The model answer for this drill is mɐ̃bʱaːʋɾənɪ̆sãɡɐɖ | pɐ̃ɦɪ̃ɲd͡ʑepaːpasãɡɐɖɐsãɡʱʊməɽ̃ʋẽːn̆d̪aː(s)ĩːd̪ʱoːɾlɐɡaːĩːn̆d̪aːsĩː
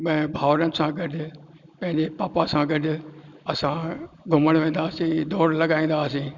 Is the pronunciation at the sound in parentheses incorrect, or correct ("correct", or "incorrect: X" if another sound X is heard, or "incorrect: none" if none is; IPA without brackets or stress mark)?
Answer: correct